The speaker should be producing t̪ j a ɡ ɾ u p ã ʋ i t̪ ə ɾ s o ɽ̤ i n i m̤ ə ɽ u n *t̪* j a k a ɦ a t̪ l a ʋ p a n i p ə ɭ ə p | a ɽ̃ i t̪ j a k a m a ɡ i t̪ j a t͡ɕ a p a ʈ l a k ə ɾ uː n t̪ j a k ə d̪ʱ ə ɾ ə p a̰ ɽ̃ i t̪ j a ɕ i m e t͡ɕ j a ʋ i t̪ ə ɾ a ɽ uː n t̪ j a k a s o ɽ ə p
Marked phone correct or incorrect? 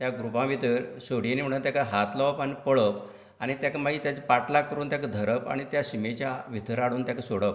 correct